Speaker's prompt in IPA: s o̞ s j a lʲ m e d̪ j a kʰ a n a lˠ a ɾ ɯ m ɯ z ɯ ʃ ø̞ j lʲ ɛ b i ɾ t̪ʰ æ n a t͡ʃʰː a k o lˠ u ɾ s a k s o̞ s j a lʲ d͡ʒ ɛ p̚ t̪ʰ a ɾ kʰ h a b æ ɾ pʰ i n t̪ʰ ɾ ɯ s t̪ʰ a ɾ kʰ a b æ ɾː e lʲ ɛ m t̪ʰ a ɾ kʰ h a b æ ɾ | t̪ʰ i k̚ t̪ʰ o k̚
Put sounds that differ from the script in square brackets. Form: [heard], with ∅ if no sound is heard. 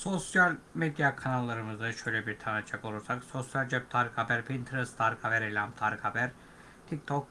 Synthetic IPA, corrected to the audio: s o̞ s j a lʲ m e d̪ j a kʰ a n a [lˠː] a ɾ ɯ m ɯ z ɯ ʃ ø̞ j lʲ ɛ b i ɾ t̪ʰ [a] n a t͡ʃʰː a k o lˠ u ɾ s a k s o̞ s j a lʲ d͡ʒ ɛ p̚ t̪ʰ a ɾ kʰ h a b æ ɾ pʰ i n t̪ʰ ɾ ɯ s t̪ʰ a ɾ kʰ a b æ [ɾ] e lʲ [a] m t̪ʰ a ɾ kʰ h a b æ ɾ | t̪ʰ i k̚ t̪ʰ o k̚